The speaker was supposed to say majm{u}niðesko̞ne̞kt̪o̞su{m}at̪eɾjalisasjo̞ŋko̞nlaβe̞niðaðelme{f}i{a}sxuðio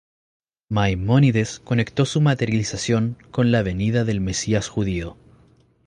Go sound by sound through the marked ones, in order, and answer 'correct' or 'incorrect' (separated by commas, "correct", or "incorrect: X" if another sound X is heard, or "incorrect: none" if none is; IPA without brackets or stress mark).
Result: incorrect: o, correct, incorrect: s, correct